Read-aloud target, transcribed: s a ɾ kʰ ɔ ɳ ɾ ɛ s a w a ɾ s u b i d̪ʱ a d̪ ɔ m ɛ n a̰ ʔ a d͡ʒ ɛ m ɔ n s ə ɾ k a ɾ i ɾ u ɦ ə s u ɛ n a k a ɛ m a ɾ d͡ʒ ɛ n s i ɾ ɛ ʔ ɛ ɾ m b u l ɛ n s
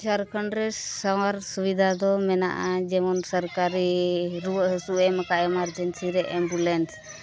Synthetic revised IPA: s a ɾ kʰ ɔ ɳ ɾ ɛ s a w a ɾ s u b i d̪ʱ a d̪ ɔ m ɛ n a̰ ʔ a d͡ʒ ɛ m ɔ n s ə ɾ k a ɾ i ɾ u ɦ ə s u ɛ m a k a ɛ m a ɾ d͡ʒ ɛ n s i ɾ ɛ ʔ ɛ m b u l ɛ n s